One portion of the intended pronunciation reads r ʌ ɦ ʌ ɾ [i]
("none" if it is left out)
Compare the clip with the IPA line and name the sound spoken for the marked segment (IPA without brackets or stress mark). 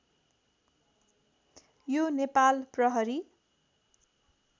i